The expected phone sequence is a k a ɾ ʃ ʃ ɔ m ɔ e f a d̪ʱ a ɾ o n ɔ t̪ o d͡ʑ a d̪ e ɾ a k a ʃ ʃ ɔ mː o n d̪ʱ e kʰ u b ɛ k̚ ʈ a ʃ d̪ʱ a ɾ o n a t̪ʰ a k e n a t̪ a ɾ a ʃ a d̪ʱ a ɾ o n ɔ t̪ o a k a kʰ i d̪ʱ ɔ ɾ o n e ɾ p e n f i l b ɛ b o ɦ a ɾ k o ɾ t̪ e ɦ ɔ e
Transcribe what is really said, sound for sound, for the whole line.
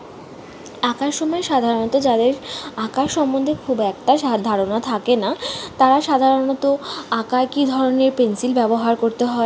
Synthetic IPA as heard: a k a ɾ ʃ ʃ ɔ m ɔ e ʃ a d̪ʱ a ɾ o n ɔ t̪ o d͡ʑ a d̪ e ɾ a k a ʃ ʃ ɔ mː o n d̪ʱ e kʰ u b ɛ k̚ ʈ a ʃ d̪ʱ a ɾ o n a t̪ʰ a k e n a t̪ a ɾ a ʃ a d̪ʱ a ɾ o n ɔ t̪ o a k a k i d̪ʱ ɔ ɾ o n e ɾ p e n s i l b ɛ b o ɦ a ɾ k o ɾ t̪ e ɦ ɔ e